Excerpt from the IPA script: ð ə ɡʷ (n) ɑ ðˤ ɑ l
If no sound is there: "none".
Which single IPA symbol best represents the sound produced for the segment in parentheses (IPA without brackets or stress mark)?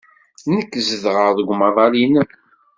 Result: m